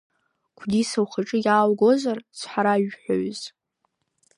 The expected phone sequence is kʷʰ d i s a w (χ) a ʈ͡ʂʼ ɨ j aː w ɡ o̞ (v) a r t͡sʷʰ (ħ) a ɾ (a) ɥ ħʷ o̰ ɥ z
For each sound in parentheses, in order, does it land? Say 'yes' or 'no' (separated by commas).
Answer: yes, no, yes, yes